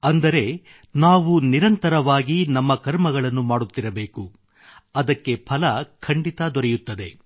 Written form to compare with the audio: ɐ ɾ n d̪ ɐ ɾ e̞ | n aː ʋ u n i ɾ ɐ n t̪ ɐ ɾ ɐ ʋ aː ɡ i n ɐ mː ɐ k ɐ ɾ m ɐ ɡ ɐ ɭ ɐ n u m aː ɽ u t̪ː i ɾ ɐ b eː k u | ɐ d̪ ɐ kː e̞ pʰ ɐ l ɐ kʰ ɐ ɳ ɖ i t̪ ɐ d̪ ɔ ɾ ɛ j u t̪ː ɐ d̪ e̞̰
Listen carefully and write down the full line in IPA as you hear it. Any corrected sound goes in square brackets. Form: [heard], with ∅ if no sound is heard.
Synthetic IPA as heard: ɐ [∅] n d̪ ɐ ɾ e̞ | n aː ʋ u n i ɾ ɐ n t̪ ɐ ɾ ɐ ʋ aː ɡ i n ɐ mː ɐ k ɐ ɾ m ɐ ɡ ɐ ɭ ɐ [nː] u m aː ɽ u t̪ː i ɾ ɐ b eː k u | ɐ d̪ ɐ kː e̞ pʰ ɐ l ɐ kʰ ɐ ɳ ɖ i t̪ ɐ d̪ ɔ ɾ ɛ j u t̪ː ɐ d̪ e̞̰